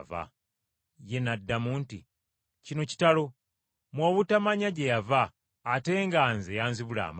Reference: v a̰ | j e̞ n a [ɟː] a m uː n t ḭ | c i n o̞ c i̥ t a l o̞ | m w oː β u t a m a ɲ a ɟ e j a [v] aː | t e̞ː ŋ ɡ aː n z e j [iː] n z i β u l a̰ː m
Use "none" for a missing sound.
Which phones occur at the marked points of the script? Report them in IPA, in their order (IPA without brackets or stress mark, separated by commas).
dː, v, aː